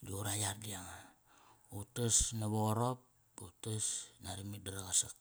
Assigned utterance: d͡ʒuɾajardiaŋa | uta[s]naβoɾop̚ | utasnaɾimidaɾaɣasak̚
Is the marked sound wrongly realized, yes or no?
no